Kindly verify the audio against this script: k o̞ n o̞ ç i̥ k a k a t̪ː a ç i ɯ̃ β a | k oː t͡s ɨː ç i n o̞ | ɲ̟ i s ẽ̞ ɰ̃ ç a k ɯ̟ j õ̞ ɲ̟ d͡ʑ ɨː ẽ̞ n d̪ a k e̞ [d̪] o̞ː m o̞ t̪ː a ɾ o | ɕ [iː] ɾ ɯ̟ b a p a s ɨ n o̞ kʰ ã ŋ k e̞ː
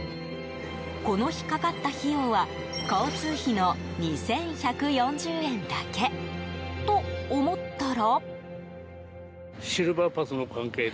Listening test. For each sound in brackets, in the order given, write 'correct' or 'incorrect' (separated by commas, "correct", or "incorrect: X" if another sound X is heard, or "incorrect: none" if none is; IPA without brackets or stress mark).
incorrect: t̪, incorrect: i